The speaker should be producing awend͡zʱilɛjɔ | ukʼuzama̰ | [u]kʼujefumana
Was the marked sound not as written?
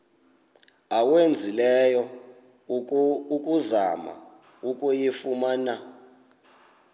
no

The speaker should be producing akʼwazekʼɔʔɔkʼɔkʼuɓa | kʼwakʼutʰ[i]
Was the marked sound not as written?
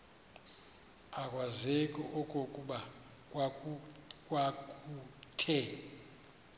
yes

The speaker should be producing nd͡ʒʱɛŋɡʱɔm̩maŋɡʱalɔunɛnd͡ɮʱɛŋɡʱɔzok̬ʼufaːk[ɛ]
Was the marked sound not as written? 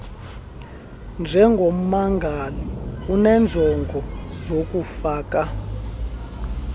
yes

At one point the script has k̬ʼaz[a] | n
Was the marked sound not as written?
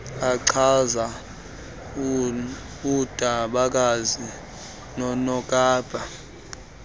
yes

